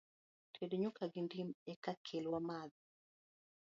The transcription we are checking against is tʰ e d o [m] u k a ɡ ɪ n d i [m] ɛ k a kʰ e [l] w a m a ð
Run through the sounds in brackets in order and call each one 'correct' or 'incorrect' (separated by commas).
incorrect, correct, correct